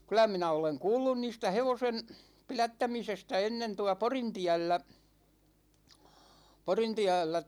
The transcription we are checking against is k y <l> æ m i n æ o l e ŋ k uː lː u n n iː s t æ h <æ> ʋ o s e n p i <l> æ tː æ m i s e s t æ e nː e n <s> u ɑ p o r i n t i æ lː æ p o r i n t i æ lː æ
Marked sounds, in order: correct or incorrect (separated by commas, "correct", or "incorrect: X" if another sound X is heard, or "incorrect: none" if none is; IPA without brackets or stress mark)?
correct, incorrect: e, correct, incorrect: t